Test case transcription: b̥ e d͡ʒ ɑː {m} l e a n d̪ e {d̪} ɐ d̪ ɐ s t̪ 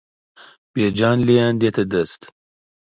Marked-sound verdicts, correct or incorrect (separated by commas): incorrect, incorrect